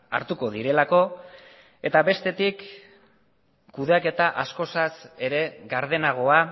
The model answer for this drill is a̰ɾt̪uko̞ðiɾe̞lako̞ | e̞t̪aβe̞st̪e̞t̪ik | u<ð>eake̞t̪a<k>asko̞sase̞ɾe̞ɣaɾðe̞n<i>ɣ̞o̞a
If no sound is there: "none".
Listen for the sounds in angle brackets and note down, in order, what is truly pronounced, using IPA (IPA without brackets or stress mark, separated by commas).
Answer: ð, ʔ, a